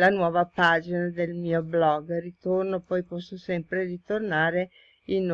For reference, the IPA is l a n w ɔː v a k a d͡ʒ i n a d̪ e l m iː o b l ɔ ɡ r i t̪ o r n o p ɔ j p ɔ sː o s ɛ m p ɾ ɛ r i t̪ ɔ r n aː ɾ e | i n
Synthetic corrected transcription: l a n w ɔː v a p a d͡ʒ i n a d̪ e l m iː o b l ɔ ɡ r i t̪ o r n o p ɔ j p ɔ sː o s ɛ m p ɾ e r i t̪ o r n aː ɾ e | i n